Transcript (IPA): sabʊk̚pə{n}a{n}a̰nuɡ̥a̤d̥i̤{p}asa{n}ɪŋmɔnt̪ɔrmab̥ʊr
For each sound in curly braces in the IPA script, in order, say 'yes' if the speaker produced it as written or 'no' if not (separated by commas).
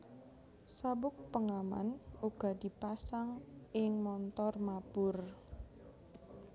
no, no, yes, no